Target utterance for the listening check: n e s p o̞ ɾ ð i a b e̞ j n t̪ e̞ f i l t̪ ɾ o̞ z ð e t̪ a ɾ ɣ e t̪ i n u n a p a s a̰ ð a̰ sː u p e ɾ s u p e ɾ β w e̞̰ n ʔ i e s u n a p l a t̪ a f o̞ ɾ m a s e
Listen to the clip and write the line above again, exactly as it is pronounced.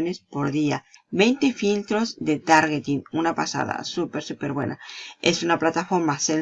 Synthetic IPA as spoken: n e s p o̞ ɾ ð i a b e̞ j n t̪ e̞ f i l t̪ ɾ o̞ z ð e t̪ a ɾ ɣ e t̪ i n u n a p a s a̰ ð a̰ s u p e ɾ s u p e ɾ β w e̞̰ n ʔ a e s u n a p l a t̪ a f o̞ ɾ m a s e